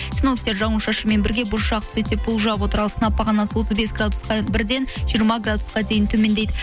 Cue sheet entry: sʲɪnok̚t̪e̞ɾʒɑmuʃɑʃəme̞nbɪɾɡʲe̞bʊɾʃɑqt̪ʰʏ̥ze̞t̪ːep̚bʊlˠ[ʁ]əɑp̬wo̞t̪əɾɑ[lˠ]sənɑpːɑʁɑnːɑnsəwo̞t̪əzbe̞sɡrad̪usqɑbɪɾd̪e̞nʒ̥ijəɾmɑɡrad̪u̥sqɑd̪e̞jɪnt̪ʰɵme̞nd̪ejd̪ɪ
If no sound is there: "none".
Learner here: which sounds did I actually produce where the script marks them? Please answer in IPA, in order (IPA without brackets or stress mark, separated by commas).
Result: ʒ, lˠ